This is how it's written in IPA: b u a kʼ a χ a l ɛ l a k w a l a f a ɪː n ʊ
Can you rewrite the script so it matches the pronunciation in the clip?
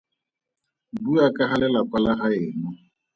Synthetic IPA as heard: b u a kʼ a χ a l ɛ l a k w a l a χ a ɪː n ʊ